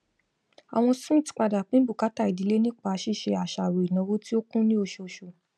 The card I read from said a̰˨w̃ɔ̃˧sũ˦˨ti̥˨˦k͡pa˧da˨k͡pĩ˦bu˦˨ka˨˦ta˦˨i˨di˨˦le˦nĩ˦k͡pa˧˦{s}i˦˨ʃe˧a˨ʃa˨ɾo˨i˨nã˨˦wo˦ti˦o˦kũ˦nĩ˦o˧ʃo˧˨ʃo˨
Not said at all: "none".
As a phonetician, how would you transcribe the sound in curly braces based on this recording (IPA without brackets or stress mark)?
ʃ